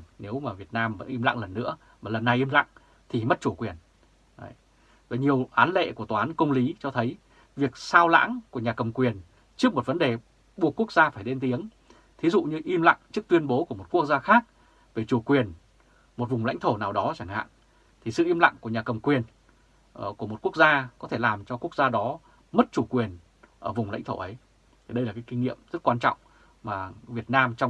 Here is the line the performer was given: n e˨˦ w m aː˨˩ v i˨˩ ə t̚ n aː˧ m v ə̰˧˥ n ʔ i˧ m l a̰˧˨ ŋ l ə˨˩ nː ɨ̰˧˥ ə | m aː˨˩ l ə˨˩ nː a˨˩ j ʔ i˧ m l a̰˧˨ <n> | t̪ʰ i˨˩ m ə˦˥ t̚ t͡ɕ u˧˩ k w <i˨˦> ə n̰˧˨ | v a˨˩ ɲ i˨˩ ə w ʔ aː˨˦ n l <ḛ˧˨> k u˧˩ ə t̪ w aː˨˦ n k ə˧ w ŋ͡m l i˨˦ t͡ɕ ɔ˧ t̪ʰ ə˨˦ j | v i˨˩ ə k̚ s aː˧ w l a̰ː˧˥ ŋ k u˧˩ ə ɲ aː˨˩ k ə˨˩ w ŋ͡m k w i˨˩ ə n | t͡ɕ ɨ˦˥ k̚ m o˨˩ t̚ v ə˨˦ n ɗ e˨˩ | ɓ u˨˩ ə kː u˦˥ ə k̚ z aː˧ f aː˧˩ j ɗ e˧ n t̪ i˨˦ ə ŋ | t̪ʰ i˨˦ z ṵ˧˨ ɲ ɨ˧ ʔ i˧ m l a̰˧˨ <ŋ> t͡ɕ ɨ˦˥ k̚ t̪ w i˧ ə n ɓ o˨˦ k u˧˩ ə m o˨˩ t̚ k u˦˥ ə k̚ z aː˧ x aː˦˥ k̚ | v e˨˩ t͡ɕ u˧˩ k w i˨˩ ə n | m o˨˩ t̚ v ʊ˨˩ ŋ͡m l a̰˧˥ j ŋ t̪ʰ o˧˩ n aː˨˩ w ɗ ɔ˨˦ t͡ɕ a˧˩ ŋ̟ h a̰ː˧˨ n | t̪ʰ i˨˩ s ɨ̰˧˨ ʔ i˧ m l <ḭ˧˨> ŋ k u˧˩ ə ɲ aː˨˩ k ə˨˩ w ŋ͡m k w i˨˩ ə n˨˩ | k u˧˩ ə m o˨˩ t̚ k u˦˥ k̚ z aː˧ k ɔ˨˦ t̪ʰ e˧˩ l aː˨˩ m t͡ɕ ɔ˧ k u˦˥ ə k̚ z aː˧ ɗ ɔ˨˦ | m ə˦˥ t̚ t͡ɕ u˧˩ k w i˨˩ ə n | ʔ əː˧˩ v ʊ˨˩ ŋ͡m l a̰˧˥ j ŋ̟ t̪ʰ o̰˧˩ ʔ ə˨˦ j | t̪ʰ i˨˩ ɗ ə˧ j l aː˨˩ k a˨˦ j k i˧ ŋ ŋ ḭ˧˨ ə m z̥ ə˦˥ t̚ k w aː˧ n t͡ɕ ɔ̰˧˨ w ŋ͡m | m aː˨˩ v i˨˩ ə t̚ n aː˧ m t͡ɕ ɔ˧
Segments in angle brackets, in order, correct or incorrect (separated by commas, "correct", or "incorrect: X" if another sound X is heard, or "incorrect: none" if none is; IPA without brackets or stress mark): incorrect: ŋ, incorrect: i˨˩, correct, correct, incorrect: a̰˧˨